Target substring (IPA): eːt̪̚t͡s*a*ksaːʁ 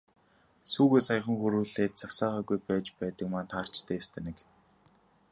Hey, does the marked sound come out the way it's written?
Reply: yes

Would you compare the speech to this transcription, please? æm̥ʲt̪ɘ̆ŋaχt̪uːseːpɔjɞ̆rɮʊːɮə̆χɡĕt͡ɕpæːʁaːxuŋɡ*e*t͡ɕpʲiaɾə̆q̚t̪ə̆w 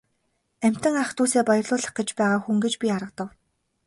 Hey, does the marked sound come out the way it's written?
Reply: yes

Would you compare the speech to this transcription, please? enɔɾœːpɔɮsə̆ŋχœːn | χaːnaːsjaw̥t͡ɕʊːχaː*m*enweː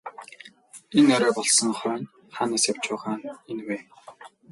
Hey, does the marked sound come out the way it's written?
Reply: no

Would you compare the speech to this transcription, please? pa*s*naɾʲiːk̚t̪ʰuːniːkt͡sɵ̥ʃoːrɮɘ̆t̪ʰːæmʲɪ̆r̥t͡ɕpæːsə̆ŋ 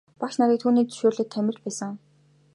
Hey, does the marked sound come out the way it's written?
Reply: no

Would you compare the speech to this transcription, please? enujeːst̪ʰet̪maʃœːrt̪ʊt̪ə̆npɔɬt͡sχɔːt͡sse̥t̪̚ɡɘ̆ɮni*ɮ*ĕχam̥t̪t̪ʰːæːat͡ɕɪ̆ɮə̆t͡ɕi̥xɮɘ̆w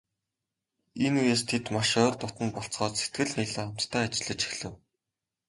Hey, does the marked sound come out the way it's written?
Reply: yes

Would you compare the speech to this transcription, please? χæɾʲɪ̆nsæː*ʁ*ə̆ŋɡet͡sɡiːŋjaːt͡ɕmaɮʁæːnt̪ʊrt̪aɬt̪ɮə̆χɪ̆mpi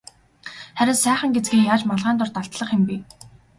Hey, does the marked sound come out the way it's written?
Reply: no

